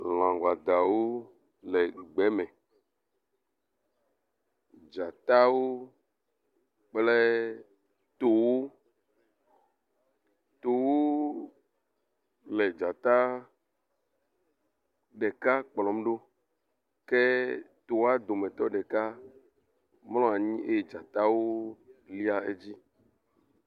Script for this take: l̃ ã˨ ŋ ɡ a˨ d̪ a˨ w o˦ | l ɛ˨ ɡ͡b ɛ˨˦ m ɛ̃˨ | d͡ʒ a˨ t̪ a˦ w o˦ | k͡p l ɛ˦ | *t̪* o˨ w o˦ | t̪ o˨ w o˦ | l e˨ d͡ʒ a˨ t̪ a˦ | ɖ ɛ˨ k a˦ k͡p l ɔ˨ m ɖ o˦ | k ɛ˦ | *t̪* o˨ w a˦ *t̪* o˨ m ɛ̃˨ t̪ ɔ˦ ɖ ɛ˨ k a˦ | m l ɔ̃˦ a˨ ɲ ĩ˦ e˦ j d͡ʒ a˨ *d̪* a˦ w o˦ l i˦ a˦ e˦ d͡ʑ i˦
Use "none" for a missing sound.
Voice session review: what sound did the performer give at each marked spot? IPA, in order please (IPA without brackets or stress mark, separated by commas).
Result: t̪, t̪, d̪, t̪